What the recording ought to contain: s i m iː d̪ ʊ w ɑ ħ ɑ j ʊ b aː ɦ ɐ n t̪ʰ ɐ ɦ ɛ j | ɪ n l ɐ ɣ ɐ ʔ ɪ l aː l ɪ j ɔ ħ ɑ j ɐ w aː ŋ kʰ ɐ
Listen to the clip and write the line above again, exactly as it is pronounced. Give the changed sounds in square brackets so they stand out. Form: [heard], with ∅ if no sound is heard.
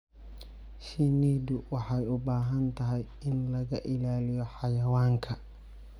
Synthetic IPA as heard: [ʃ] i [n] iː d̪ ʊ w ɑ ħ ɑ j ʊ b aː ɦ ɐ n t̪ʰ ɐ ɦ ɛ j | ɪ n l ɐ ɣ ɐ ʔ ɪ l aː l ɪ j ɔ ħ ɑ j ɐ w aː ŋ kʰ ɐ